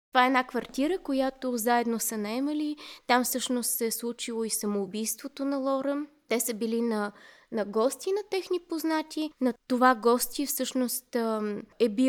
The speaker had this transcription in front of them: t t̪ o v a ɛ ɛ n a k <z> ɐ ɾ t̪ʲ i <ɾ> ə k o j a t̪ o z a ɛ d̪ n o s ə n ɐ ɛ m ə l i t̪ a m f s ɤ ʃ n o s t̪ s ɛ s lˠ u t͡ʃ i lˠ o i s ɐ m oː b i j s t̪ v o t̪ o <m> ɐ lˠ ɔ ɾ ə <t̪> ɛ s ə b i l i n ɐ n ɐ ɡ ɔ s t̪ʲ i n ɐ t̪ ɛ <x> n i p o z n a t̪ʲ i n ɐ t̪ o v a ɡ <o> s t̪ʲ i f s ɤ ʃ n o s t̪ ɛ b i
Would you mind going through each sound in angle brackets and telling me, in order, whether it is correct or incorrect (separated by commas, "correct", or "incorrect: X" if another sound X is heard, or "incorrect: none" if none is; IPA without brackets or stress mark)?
incorrect: v, correct, incorrect: n, correct, correct, incorrect: ɔ